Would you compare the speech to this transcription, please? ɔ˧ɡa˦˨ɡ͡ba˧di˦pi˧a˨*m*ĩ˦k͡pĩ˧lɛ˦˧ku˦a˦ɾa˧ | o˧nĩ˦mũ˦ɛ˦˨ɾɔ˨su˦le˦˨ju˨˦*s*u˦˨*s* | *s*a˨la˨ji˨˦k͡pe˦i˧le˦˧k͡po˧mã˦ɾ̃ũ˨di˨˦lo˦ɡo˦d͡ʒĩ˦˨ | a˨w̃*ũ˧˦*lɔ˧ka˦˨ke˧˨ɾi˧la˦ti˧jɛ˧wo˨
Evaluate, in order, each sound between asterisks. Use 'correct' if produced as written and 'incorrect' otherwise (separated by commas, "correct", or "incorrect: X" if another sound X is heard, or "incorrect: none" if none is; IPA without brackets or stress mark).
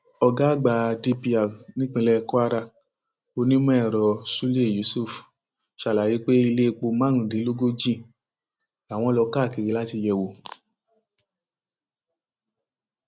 incorrect: n, correct, incorrect: f, incorrect: ʃ, incorrect: ɔ̃˧˦